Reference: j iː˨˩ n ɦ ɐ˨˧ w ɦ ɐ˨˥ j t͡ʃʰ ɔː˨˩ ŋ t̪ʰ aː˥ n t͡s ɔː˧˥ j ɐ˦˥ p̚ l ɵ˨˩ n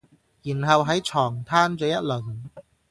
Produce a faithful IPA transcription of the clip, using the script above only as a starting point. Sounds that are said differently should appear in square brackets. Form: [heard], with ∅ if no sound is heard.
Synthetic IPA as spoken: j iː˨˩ n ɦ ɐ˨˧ w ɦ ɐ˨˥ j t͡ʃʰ ɔː˨˩ ŋ t̪ʰ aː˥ n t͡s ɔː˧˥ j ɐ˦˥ [t̚] l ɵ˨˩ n